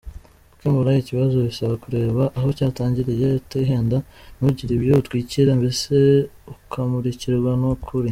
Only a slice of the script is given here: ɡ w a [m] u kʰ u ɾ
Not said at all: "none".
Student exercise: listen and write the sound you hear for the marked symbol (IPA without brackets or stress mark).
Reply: n